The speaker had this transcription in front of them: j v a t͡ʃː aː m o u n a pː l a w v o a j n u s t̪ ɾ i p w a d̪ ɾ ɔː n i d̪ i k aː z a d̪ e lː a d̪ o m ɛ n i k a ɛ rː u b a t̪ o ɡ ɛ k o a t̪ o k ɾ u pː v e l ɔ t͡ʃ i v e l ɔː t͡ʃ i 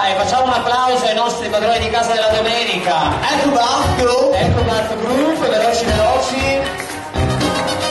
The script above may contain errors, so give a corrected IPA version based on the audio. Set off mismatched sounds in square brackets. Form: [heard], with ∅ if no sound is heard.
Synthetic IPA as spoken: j [f] a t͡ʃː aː m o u n a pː l a w [z] o a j n [ɔ] s t̪ ɾ i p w a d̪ ɾ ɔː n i d̪ i k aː z a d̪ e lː a d̪ o m ɛ n i k a ɛ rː u b a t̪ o [∅] ɛ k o a t̪ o [ɡ] ɾ u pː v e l ɔ t͡ʃ i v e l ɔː t͡ʃ i